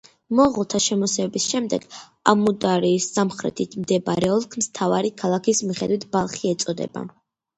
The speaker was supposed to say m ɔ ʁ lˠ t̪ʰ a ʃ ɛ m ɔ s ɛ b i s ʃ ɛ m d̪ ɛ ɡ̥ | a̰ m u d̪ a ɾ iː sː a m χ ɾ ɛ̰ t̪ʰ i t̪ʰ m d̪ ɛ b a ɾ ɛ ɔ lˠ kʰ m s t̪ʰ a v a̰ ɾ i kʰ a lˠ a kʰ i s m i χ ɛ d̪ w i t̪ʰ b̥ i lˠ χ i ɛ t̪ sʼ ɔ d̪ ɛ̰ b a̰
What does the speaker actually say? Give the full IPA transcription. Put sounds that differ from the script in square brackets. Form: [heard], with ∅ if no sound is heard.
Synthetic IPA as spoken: m ɔ ʁ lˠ t̪ʰ a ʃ ɛ m ɔ s ɛ b i s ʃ ɛ m d̪ ɛ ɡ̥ | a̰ m u d̪ a ɾ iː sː a m χ ɾ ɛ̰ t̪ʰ i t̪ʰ m d̪ ɛ b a ɾ ɛ ɔ lˠ kʰ m s t̪ʰ a v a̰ ɾ i kʰ a lˠ a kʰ i s m i χ ɛ d̪ w i t̪ʰ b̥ [a] lˠ χ i ɛ t̪ sʼ ɔ d̪ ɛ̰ b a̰